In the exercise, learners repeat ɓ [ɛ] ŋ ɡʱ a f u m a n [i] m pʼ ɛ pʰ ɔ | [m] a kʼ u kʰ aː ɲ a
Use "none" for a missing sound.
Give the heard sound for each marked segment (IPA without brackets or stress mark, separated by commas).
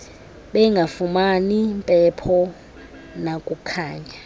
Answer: ɛ, i, n